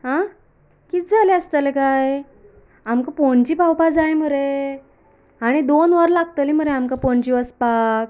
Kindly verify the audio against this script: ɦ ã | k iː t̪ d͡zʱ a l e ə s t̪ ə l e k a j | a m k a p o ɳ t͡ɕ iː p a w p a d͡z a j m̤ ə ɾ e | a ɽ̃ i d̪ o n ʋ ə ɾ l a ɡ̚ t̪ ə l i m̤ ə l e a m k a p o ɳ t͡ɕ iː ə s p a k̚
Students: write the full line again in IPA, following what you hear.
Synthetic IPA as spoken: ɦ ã | k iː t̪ d͡zʱ a l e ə s t̪ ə l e k a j | a m k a p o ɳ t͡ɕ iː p a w p a d͡z a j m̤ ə ɾ e | a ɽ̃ i d̪ o n ʋ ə ɾ l a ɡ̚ t̪ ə l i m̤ ə ɾ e a m k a p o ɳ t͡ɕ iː ə s p a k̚